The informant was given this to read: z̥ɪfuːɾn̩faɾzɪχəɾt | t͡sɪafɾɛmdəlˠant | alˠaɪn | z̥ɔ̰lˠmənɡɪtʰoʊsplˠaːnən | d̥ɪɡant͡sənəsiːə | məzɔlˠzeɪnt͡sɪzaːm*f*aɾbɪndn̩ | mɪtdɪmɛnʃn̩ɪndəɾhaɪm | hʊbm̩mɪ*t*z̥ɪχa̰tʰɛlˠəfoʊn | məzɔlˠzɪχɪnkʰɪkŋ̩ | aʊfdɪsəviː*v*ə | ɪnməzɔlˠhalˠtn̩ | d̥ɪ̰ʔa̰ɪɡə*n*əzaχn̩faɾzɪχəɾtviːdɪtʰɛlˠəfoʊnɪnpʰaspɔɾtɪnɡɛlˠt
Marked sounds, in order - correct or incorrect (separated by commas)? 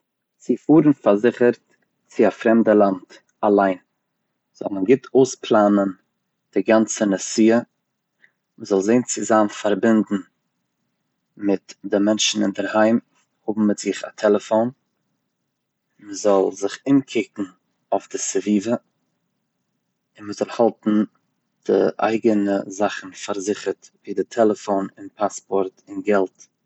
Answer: correct, correct, correct, correct